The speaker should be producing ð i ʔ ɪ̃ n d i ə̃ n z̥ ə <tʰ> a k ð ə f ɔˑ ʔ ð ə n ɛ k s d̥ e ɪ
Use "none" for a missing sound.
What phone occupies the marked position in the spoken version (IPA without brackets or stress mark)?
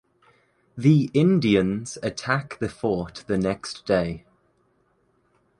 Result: tʰ